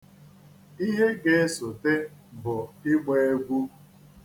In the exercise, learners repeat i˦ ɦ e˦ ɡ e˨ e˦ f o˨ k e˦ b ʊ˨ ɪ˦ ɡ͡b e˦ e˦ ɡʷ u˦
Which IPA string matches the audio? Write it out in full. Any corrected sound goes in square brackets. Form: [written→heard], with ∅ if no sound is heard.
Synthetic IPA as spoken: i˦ ɦ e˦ ɡ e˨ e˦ [f→s] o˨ [k→t] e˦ b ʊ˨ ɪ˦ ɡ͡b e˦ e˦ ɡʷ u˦

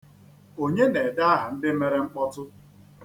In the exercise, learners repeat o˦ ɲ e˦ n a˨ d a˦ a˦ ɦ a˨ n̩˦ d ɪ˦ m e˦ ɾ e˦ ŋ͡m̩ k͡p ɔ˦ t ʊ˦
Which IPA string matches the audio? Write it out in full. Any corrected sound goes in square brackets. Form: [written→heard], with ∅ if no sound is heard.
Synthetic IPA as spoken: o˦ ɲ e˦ n [a˨→e˨] d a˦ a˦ ɦ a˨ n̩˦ d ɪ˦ m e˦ ɾ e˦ ŋ͡m̩ k͡p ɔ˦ t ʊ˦

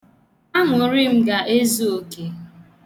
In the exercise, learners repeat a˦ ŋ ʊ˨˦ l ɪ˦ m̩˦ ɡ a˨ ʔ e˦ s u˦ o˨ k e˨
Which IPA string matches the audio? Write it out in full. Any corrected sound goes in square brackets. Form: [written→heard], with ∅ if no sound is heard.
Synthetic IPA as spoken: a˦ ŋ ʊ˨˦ [l→ɾ] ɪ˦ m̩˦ ɡ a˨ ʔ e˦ [s→z] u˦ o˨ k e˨

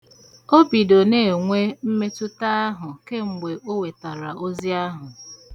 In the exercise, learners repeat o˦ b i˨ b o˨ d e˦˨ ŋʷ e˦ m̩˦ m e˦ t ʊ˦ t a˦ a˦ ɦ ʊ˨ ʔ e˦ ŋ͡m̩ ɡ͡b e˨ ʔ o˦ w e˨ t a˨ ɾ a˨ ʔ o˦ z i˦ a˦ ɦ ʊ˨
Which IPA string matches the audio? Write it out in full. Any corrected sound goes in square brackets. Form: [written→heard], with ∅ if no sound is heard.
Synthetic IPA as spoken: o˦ b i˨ [b→d] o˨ [d→n] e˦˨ ŋʷ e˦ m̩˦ m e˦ t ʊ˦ t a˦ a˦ ɦ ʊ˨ [ʔ→k] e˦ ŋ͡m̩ ɡ͡b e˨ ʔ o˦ w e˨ t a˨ ɾ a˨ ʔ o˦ z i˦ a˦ ɦ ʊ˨

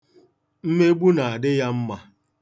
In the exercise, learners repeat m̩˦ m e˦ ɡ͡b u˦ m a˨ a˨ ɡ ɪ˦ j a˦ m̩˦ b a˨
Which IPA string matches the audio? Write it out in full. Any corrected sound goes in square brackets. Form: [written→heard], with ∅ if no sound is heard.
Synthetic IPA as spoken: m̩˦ m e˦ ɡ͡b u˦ [m→n] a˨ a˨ [ɡ→d] ɪ˦ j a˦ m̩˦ [b→m] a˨

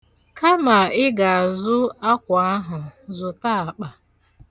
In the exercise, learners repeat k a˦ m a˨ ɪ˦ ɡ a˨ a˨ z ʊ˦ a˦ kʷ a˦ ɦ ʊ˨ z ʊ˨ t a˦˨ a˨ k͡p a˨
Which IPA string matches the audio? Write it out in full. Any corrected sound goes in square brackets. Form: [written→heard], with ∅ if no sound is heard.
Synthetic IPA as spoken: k a˦ m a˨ ɪ˦ ɡ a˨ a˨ z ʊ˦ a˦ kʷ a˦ ɦ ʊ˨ z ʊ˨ t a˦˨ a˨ k͡p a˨

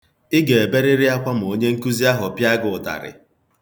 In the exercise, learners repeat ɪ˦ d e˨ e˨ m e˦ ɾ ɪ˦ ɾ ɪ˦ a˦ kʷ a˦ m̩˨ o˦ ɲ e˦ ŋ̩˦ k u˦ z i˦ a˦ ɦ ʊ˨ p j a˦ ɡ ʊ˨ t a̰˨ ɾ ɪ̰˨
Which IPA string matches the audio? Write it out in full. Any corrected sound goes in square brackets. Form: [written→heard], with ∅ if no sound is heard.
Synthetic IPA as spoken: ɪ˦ [d→ɡ] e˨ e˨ [m→b] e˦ ɾ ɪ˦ ɾ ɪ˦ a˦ kʷ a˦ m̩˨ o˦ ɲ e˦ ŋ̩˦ k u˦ z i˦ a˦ ɦ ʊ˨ p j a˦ ɡ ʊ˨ t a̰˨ ɾ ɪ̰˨

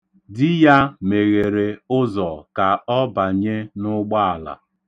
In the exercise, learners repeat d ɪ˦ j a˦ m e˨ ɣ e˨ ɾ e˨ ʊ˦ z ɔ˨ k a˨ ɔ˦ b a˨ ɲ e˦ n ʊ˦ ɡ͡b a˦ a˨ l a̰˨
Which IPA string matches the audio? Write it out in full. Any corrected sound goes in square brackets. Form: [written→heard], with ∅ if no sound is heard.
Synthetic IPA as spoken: d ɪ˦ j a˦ m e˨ ɣ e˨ ɾ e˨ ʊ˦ z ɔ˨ k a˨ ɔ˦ b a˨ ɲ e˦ n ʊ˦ ɡ͡b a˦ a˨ l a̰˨

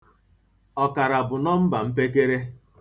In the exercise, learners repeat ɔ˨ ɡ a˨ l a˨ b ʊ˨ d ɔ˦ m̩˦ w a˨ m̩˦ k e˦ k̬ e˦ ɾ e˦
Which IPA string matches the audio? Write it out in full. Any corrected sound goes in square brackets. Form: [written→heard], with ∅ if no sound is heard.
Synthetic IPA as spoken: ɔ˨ [ɡ→k] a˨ [l→ɾ] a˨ b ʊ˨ [d→n] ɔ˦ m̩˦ [w→b] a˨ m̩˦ [k→p] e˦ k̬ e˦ ɾ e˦

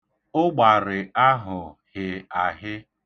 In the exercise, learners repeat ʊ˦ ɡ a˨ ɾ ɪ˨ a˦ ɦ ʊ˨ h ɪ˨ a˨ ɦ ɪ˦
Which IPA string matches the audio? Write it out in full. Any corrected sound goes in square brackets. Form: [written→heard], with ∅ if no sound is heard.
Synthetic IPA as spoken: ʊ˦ [ɡ→ɡ͡b] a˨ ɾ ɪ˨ a˦ ɦ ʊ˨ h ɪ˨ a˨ ɦ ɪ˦

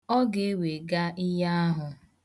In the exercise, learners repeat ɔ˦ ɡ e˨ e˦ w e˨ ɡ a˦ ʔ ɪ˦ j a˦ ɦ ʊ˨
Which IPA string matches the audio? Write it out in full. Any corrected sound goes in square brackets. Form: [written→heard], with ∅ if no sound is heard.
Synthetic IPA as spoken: ɔ˦ ɡ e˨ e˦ w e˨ ɡ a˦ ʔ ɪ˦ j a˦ ɦ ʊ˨

